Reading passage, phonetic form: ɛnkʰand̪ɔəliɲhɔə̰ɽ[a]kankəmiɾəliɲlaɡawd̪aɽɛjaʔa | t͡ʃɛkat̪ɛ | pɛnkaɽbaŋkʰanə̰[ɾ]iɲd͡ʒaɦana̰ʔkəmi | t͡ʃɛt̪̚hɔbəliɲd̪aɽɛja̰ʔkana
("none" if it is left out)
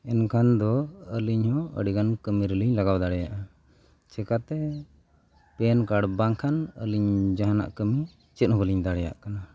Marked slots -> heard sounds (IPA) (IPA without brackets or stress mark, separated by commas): i, l